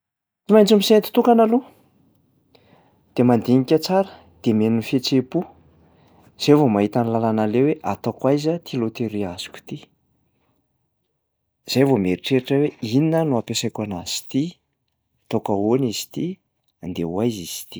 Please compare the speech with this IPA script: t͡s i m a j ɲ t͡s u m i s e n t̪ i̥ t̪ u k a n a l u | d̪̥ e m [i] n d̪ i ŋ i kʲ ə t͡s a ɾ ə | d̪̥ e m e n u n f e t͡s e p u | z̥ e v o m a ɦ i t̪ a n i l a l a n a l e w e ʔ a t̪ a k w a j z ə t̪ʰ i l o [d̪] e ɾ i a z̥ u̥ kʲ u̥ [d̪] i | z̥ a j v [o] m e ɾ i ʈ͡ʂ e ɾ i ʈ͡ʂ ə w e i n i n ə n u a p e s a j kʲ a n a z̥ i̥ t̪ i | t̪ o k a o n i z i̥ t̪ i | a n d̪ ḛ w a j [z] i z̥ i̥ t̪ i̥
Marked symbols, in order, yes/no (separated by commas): no, no, no, yes, yes